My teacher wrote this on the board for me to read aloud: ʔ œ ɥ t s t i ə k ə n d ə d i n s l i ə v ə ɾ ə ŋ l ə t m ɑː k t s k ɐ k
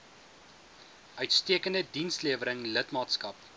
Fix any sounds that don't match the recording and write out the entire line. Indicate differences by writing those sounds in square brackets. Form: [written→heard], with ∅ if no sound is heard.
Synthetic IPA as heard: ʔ œ ɥ t s t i ə k ə n d ə d i n s l i ə v ə ɾ ə ŋ l ə t m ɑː [k→∅] t s k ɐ [k→p]